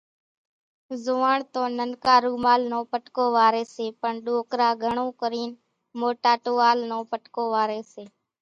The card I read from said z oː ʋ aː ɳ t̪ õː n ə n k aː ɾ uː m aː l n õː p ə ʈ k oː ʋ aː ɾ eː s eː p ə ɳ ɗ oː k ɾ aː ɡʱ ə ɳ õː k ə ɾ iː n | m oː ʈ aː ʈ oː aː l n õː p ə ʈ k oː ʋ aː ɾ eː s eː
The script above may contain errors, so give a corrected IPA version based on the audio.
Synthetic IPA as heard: z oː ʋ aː ɳ t̪ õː n ə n k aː ɾ uː m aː l n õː p ə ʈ k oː ʋ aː ɾ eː s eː p ə ɳ ɗ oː k ɾ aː ɡʱ ə ɳ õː k ə ɾ iː n | m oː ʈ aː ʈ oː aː l n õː p ə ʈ k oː ʋ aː ɾ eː s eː

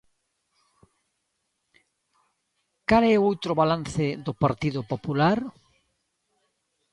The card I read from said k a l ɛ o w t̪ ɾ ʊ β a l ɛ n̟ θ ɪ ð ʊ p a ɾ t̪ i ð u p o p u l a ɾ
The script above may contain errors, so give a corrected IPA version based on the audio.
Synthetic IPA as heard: k a l ɛ o w t̪ ɾ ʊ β a l a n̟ θ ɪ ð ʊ p a ɾ t̪ i ð ʊ p o p u l a ɾ

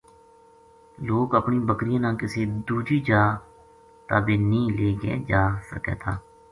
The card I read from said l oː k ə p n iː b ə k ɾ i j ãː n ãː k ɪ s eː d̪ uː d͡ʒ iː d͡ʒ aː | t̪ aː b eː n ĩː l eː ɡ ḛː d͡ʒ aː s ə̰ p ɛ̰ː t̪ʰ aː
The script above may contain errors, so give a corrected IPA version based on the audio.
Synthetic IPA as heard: l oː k ə p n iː b ə k ɾ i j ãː n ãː k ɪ s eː d̪ uː d͡ʒ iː d͡ʒ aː | t̪ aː b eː n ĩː l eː ɡ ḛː d͡ʒ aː s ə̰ k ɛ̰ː t̪ʰ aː

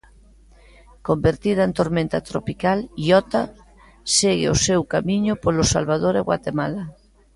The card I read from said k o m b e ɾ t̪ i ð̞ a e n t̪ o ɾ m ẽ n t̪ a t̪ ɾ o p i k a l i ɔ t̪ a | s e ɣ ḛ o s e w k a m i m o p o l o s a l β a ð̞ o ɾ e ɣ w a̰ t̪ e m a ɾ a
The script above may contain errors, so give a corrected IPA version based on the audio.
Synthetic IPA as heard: k o m b e ɾ t̪ i ð̞ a e n t̪ o ɾ m ẽ n t̪ a t̪ ɾ o p i k a l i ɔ t̪ a | s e ɣ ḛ o s e w k a m i ɲ o p o l o s a l β a ð̞ o ɾ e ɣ w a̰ t̪ e m a l a

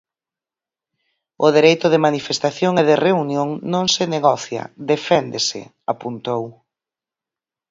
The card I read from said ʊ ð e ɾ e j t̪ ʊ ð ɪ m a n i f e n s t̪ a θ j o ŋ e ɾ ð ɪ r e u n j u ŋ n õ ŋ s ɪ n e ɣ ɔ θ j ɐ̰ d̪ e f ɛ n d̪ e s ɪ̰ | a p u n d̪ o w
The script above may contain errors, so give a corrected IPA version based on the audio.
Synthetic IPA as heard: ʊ ð e ɾ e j t̪ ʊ ð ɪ m a n i f e s t̪ a θ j o ŋ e ð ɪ r e u n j o ŋ n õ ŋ s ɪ n e ɣ ɔ θ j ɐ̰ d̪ e f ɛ n d̪ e s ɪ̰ | a p u n t̪ o w

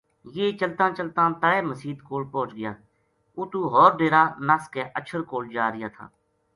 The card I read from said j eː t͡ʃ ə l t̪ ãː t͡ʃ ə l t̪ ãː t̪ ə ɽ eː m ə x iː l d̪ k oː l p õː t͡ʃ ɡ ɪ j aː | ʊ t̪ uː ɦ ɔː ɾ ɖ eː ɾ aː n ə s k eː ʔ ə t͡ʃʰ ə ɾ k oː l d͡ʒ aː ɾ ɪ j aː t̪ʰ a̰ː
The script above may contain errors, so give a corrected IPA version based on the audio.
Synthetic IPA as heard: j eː t͡ʃ ə l t̪ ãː t͡ʃ ə l t̪ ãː t̪ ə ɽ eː m ə s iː d̪ k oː l p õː t͡ʃ ɡ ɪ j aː | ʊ t̪ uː ɦ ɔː ɾ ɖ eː ɾ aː n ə s k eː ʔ ə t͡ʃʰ ə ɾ k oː l d͡ʒ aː ɾ ɪ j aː t̪ʰ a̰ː

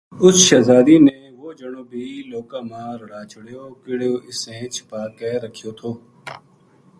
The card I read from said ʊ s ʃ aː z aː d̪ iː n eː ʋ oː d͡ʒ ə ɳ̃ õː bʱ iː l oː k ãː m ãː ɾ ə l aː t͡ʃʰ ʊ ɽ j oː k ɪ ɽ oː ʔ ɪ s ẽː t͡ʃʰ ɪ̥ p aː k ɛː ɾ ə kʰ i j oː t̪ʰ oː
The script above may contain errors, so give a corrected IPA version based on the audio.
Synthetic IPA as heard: ʊ s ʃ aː z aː d̪ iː n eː ʋ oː d͡ʒ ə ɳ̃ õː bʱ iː l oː k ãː m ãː ɾ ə ɽ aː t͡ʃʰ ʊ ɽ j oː k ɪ ɽ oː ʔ ɪ s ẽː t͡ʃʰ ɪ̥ p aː k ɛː ɾ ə kʰ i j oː t̪ʰ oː

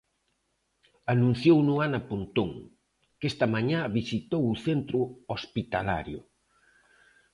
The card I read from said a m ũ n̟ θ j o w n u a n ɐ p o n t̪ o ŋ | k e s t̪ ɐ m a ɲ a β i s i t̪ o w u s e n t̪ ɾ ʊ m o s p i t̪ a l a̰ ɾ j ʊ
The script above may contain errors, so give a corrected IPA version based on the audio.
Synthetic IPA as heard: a n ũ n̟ θ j o w n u a n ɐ p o n t̪ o ŋ | k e s t̪ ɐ m a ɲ a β i s i t̪ o w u θ e n t̪ ɾ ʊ o s p i t̪ a l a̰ ɾ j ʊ

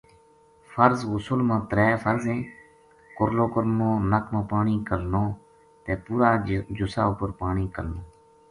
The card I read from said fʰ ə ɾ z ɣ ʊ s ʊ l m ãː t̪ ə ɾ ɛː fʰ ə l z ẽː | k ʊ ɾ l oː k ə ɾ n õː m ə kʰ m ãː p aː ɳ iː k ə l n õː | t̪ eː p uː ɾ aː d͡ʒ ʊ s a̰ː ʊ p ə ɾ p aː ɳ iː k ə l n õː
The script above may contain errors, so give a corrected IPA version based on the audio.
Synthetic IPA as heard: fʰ ə ɾ z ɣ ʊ s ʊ l m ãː t̪ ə ɾ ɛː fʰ ə ɾ z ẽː | k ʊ ɾ l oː k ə ɾ n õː n ə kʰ m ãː p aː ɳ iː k ə l n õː | t̪ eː p uː ɾ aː d͡ʒ ʊ s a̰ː ʊ p ə ɾ p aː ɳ iː k ə l n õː

